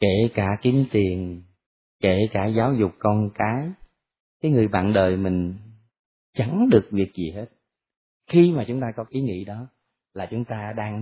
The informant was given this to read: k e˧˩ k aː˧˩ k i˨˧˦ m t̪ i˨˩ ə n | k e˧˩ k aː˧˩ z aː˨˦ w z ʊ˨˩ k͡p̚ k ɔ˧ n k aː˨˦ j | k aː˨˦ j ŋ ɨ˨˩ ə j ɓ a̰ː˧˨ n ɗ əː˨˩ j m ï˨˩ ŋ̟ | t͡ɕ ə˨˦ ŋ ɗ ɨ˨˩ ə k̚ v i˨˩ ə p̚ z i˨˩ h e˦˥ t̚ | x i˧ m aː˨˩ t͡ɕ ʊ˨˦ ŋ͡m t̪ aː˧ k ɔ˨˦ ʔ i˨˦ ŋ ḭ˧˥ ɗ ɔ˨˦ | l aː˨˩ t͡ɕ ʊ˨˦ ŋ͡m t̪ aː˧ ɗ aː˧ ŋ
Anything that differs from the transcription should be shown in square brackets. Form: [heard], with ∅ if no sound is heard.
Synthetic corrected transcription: k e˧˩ k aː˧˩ k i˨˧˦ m t̪ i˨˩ ə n | k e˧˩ k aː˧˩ z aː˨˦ w z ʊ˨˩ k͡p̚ k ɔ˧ n k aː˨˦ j | k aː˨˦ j ŋ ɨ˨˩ ə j ɓ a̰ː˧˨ n ɗ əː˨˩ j m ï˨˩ ŋ̟ | t͡ɕ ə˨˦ ŋ ɗ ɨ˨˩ ə k̚ v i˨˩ ə [k̚] z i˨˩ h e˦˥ t̚ | x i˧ m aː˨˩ t͡ɕ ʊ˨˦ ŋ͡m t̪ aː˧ k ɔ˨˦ ʔ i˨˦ ŋ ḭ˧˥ ɗ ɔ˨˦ | l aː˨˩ t͡ɕ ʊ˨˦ ŋ͡m t̪ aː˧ ɗ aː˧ ŋ